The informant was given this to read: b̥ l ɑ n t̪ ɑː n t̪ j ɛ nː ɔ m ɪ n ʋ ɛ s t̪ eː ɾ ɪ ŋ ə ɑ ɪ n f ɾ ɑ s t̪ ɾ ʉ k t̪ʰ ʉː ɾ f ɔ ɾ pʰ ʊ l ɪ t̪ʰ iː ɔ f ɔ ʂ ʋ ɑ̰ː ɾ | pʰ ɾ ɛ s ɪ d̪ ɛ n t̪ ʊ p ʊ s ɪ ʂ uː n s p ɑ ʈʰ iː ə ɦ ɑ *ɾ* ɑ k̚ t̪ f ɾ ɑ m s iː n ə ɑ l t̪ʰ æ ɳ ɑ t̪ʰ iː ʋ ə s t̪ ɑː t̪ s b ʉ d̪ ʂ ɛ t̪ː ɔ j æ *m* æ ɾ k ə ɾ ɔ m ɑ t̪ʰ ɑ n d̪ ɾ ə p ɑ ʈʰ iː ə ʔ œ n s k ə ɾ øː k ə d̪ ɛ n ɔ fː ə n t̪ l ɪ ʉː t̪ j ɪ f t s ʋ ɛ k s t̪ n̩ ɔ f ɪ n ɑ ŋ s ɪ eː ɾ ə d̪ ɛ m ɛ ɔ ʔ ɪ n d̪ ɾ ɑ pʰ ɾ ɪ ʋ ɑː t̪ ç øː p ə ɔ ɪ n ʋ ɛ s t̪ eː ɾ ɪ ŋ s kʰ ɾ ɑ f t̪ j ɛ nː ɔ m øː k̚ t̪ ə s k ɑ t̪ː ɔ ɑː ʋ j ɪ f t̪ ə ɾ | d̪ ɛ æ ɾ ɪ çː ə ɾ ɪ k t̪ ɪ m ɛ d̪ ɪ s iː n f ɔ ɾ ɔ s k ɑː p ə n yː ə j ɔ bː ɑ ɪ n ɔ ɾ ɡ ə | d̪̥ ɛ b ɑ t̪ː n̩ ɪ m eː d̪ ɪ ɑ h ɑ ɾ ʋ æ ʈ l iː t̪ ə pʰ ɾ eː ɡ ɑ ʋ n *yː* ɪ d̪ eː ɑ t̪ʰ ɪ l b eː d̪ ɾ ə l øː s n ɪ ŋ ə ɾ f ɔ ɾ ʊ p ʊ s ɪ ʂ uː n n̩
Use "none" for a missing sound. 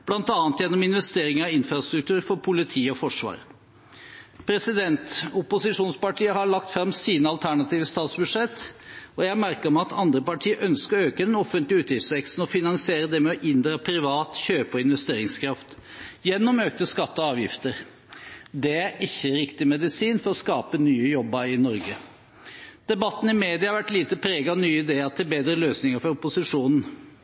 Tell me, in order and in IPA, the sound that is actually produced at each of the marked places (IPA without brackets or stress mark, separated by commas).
ɭ, m, yː